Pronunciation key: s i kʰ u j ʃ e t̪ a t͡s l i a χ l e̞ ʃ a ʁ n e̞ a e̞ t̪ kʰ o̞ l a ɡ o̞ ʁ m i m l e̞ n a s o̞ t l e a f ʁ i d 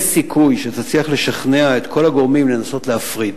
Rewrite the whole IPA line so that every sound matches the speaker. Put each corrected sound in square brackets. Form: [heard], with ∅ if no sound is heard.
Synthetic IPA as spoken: s i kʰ u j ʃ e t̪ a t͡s l i a χ l e̞ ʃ a [χ] n e̞ a e̞ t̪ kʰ o̞ l a ɡ o̞ ʁ m i m l e̞ n a s o̞ t l e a f ʁ i d